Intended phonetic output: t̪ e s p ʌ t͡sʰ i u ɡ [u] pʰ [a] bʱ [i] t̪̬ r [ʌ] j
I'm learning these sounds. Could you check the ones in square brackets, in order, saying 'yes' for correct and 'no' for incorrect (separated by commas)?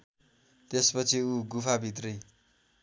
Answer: yes, yes, yes, yes